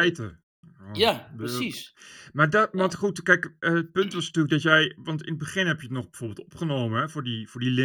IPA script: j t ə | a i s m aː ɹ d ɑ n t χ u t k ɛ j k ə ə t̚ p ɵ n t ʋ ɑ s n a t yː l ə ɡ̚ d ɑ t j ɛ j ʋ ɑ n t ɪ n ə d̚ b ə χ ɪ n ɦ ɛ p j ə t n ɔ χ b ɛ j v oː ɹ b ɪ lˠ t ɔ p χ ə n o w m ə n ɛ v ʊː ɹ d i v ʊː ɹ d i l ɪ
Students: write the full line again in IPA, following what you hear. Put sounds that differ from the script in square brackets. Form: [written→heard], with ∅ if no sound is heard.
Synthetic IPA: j t ə | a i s m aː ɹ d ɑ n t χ u t k ɛ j k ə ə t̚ p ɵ n t ʋ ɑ s n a t yː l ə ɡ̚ d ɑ t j ɛ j ʋ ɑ n t ɪ n ə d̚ b ə χ ɪ n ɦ ɛ p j ə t n ɔ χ b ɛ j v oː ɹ b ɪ lˠ t ɔ p χ ə n o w m ə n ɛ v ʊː ɹ d i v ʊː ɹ d i l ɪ